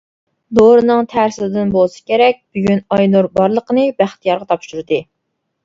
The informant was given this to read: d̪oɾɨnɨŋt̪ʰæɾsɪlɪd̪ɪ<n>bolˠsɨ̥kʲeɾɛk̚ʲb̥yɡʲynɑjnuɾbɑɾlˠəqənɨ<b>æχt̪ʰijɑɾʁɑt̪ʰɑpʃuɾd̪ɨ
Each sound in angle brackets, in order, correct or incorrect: correct, correct

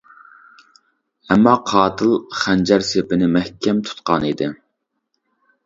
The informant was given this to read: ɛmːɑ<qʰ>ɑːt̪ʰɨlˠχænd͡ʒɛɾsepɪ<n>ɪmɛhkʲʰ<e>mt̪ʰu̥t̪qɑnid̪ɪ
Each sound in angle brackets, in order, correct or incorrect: correct, correct, incorrect: ɛ

